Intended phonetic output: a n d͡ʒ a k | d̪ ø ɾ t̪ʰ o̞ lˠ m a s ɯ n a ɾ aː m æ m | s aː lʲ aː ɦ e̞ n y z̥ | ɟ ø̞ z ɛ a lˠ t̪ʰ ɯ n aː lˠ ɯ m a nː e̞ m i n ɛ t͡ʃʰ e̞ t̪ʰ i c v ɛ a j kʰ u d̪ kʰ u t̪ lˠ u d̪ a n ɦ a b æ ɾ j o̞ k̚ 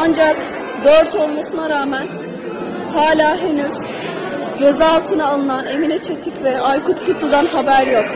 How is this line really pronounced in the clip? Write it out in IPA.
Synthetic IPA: a n d͡ʒ a k | d̪ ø ɾ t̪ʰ o̞ lˠ m a s ɯ n a ɾ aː m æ n | h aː lʲ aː ɦ e̞ n y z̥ | ɟ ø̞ z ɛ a lˠ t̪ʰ ɯ n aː lˠ ɯ n a n e̞ m i n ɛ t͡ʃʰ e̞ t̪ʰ i c v ɛ a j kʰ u t̪ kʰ u t̪ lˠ u d̪ a n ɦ a b æ ɾ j o̞ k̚